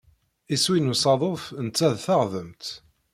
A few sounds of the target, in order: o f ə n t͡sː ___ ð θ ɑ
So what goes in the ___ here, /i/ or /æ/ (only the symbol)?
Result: æ